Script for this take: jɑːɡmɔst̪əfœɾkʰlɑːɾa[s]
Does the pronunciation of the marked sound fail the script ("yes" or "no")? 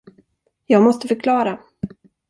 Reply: yes